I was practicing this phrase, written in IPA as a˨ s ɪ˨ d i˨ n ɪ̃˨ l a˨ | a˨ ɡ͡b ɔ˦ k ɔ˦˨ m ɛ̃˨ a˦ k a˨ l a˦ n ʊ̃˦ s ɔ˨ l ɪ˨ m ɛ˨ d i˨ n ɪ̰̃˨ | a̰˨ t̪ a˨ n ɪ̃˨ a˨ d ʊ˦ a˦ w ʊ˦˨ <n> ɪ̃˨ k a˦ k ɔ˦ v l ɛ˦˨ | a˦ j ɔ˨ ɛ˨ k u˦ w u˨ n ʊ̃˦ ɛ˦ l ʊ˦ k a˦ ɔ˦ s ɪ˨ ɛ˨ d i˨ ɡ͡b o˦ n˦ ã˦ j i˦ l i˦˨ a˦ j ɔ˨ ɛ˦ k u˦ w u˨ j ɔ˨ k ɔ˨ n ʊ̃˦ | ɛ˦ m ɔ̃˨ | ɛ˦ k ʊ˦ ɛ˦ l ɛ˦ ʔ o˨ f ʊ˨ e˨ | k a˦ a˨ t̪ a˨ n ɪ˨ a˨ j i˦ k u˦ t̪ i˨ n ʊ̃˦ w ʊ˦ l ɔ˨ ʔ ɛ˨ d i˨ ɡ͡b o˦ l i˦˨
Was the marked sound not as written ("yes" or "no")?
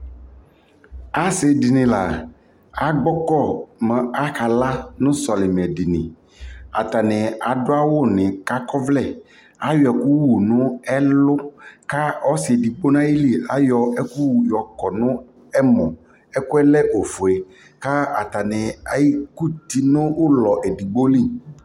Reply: no